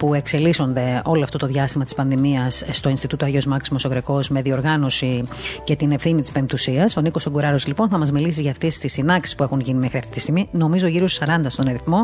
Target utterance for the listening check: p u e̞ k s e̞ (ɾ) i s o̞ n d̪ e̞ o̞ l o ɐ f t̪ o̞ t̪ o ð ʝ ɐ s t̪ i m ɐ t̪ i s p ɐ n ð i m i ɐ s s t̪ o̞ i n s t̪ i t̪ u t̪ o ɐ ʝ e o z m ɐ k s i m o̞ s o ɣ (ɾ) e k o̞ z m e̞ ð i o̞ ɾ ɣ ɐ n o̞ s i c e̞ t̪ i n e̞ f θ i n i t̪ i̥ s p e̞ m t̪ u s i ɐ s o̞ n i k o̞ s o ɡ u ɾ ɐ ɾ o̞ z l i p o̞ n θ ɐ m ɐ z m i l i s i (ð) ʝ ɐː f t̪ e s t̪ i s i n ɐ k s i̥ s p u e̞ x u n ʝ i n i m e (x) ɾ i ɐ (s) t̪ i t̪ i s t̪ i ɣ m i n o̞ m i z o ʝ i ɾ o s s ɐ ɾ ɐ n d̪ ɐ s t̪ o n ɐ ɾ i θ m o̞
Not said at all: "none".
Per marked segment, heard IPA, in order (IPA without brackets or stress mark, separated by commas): l, ɾ, z, x, f